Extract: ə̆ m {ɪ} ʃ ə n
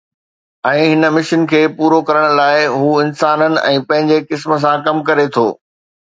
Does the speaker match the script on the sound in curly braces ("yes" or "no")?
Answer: yes